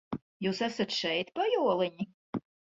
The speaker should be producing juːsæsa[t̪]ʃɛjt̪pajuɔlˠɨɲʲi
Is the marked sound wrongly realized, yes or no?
no